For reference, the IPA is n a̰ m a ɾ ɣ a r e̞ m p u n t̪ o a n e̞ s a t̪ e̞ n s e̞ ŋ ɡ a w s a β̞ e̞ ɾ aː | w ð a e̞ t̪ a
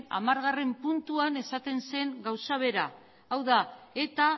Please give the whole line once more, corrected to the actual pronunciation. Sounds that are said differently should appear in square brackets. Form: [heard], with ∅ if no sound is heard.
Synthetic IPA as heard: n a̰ m a ɾ ɣ a r e̞ m p u n t̪ [u] a n e̞ s a t̪ e̞ n s e̞ ŋ ɡ a w s a β̞ e̞ ɾ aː | w ð a e̞ t̪ a